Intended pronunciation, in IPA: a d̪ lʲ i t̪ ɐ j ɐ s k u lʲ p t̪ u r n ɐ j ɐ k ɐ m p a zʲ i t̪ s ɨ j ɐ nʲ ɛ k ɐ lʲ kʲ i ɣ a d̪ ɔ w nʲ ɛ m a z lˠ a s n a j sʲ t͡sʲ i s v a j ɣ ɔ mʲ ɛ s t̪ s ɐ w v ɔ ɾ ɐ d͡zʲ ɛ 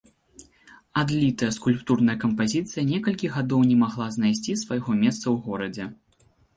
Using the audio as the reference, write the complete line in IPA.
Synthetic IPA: a d̪ lʲ i t̪ ɐ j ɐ s k u lʲ p t̪ u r n ɐ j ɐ k ɐ m p a zʲ i t̪ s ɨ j ɐ nʲ ɛ k ɐ lʲ kʲ i ɣ a d̪ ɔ w nʲ ɛ m a ɣ lˠ a z n a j sʲ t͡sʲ i s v a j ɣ ɔ mʲ ɛ s t̪ s ɐ w ɣ ɔ ɾ ɐ d͡zʲ ɛ